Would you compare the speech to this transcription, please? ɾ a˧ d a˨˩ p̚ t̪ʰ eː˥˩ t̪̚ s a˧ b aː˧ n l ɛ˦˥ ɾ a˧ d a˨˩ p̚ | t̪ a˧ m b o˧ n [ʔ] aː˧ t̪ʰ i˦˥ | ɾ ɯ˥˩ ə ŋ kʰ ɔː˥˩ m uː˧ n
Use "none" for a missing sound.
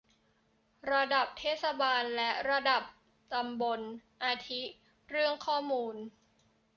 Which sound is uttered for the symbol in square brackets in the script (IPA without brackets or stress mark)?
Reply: ʔ